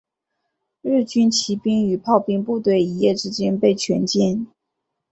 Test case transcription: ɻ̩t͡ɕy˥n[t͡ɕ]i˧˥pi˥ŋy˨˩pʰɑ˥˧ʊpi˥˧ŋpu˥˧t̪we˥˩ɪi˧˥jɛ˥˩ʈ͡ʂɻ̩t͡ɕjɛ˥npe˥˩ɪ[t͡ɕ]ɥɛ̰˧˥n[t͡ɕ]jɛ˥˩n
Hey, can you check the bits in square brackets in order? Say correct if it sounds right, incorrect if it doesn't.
incorrect: t͡ɕʰ, incorrect: t͡ɕʰ, correct

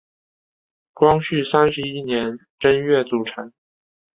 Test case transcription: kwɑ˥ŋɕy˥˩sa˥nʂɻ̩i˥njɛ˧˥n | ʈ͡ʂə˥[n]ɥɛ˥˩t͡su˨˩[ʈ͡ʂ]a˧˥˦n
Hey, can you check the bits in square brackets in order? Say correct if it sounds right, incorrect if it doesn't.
correct, incorrect: ʈ͡ʂʰ

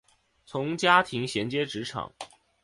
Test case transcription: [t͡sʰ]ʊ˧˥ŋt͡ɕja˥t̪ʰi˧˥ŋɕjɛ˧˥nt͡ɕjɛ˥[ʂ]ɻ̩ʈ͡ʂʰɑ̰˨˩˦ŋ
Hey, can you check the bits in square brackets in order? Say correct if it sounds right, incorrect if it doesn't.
correct, incorrect: ʈ͡ʂ

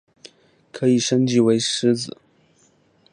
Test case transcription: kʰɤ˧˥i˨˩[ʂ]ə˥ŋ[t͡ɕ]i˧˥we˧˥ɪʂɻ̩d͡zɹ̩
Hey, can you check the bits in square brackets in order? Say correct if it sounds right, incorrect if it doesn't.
correct, correct

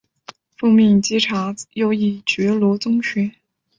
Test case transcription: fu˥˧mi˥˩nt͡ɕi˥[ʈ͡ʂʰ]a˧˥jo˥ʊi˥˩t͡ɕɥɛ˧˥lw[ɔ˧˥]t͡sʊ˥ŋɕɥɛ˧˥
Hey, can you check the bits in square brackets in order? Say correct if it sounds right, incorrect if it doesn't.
correct, correct

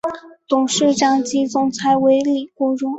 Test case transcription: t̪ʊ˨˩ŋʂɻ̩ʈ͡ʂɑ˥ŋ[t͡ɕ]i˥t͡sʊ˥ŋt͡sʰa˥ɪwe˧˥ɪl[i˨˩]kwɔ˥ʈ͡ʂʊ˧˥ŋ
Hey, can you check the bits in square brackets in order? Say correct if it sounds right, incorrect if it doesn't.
correct, correct

